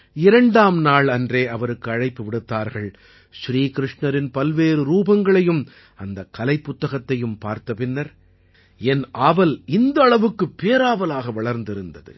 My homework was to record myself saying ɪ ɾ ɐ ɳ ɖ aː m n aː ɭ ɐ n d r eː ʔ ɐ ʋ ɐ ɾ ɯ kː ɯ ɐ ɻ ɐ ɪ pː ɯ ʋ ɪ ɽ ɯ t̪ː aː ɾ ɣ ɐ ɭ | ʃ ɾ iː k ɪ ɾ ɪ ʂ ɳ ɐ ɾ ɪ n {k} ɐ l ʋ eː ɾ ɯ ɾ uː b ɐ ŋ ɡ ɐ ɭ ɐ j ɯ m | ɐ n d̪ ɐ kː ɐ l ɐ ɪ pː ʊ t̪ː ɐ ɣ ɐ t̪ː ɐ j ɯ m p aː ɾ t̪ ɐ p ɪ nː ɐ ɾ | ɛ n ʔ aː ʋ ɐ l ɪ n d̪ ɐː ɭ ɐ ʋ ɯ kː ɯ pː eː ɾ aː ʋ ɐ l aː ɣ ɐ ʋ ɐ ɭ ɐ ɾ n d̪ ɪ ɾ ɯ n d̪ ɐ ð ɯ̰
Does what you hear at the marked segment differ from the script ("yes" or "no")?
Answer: yes